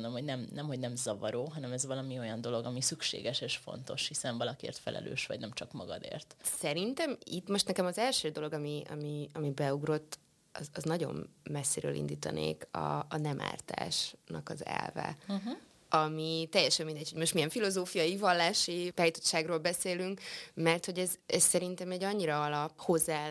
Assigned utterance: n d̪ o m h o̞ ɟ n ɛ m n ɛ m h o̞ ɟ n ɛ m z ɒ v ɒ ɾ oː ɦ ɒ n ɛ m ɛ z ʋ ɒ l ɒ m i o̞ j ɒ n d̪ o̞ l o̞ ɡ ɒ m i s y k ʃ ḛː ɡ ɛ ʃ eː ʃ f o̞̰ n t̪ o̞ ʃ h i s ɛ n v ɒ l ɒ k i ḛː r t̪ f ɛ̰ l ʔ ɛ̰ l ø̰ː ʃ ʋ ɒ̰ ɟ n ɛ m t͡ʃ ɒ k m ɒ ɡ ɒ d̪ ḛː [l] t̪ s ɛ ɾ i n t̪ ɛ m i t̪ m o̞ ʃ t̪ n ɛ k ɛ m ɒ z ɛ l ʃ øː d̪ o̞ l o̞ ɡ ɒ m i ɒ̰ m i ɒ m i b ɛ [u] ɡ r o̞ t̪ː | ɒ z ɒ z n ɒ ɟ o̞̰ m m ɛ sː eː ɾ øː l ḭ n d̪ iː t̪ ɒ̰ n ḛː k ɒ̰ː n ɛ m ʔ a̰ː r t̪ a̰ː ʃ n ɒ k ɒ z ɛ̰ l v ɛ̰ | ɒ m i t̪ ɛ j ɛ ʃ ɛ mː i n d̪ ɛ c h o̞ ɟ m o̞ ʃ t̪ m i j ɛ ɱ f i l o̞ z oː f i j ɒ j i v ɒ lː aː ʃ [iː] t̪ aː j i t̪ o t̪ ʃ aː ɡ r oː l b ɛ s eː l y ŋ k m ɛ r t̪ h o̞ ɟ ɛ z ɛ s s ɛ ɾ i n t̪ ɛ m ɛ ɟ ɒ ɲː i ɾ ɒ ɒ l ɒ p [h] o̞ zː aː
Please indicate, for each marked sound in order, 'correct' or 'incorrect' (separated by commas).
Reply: incorrect, correct, incorrect, correct